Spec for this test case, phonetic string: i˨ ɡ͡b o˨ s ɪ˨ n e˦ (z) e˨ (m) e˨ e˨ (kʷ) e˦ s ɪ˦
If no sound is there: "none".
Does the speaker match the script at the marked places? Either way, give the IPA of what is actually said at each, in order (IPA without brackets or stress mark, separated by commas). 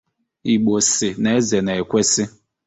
z, n, kʷ